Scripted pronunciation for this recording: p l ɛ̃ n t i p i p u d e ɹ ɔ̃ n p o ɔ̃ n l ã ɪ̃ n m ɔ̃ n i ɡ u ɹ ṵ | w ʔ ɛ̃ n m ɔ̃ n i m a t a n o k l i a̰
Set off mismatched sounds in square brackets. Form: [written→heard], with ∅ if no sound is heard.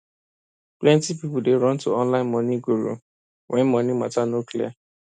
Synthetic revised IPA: p l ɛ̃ n t i p i p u d e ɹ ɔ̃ n [p→t] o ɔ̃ n l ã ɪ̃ n m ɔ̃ n i ɡ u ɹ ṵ | w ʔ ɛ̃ n m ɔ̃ n i m a t a n o k l i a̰